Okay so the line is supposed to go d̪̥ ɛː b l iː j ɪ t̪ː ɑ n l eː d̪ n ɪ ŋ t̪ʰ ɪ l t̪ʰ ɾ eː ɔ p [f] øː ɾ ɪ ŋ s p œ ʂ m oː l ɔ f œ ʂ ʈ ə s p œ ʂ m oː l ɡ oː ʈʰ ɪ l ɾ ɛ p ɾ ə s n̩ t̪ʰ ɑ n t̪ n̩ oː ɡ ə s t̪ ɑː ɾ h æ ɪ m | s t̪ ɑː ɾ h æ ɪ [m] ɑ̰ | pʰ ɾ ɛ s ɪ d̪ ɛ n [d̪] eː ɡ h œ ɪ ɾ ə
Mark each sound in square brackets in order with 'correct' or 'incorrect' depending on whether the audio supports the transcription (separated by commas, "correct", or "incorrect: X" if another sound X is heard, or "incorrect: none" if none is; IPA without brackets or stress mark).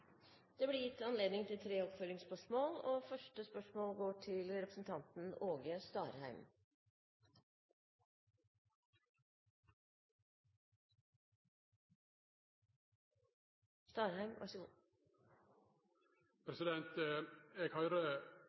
correct, correct, incorrect: t̪